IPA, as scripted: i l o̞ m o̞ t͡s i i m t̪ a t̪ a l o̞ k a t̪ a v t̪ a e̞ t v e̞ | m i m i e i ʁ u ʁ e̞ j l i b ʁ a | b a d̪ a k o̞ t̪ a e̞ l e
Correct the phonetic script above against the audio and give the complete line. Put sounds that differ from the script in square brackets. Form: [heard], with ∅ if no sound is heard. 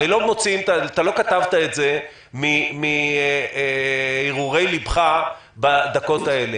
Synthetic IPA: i l o̞ m o̞ t͡s i i m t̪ a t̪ a l o̞ k a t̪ a v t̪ a e̞ t [z] e̞ | m i m i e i ʁ u ʁ e̞ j l i b [χ] a | b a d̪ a k o̞ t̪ a e̞ l e